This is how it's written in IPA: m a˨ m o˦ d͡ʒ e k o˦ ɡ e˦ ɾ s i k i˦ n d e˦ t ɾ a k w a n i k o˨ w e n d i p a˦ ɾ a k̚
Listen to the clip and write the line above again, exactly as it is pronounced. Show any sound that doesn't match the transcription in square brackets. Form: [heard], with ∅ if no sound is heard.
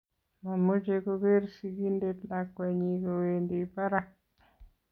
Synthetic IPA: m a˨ m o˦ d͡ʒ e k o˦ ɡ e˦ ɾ s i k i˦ n d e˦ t [l] a k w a [ɲ] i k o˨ w e n d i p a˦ ɾ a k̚